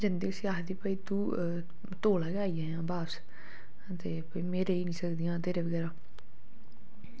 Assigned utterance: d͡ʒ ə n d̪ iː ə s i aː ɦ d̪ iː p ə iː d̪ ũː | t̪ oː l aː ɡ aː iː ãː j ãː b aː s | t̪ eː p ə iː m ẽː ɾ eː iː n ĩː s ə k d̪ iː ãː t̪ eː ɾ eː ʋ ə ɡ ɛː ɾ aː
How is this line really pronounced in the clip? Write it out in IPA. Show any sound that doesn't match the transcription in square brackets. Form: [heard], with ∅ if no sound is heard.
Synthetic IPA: d͡ʒ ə n d̪ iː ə s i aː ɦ d̪ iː p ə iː [t̪] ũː | t̪ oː l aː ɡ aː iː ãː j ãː b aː s | t̪ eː p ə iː m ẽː ɾ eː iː n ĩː s ə k d̪ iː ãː t̪ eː ɾ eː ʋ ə ɡ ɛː ɾ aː